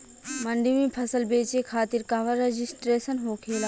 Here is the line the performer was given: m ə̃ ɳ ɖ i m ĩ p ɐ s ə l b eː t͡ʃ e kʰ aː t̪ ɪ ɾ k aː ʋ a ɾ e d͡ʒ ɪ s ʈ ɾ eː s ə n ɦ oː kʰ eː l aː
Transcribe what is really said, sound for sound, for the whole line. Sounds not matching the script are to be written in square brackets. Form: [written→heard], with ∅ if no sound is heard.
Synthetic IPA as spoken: m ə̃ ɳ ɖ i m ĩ [p→pʰ] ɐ s ə l b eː t͡ʃ e kʰ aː t̪ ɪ ɾ k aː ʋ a ɾ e d͡ʒ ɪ s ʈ ɾ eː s ə n ɦ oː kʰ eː l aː